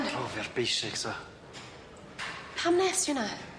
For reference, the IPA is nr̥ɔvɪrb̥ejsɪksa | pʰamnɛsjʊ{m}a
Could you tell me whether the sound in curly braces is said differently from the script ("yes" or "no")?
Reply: yes